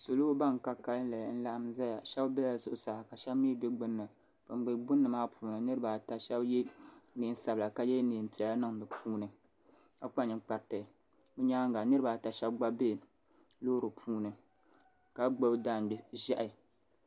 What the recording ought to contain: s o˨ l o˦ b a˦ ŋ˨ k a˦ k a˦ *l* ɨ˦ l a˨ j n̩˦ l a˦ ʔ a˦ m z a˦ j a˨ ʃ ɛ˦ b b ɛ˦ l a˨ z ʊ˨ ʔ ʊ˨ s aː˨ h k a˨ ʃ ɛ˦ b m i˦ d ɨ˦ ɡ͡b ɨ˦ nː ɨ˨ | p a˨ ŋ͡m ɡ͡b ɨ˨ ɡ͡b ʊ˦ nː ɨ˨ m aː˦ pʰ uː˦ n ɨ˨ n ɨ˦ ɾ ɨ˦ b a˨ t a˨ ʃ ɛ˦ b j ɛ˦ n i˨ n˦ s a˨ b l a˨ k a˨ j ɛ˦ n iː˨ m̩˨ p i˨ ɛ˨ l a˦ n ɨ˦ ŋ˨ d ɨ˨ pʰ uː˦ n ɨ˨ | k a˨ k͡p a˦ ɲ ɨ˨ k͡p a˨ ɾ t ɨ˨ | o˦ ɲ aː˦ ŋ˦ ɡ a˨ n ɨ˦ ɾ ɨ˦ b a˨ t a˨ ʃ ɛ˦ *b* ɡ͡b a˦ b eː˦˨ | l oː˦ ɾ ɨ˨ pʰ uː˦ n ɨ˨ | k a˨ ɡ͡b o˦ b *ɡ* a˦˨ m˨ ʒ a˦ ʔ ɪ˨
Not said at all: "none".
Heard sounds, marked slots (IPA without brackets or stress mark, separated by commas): l, b, d